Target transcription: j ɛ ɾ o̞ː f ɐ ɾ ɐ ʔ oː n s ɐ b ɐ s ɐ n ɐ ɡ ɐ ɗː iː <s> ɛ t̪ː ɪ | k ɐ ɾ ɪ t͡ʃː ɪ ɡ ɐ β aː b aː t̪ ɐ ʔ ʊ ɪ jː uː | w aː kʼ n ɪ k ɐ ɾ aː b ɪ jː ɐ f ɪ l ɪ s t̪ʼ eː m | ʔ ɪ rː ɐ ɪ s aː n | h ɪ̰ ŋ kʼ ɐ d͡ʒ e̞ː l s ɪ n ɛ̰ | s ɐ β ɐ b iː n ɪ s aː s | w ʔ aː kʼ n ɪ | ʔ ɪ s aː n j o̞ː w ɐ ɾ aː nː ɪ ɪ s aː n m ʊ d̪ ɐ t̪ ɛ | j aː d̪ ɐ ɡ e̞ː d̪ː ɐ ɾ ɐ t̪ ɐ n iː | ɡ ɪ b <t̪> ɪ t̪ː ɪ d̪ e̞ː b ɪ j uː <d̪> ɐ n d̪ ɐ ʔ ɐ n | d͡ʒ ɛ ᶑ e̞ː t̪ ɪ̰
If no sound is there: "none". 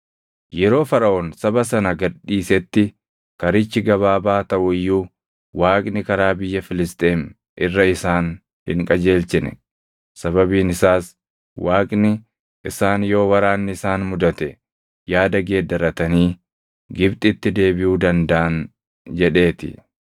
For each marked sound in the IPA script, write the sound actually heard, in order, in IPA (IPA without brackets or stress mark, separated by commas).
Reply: s, t̪ʼ, d̪